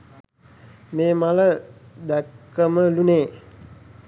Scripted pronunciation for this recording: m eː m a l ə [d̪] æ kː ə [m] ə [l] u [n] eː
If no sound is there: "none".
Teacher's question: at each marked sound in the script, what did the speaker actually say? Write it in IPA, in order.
d̪, m, l, n

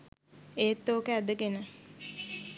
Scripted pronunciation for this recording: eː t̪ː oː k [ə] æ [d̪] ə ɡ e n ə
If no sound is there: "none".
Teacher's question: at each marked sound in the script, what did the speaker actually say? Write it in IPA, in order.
ə, d̪

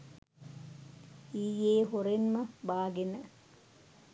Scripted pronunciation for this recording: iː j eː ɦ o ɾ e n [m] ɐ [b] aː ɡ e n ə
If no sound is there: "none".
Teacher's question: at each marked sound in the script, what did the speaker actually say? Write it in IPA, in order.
m, b

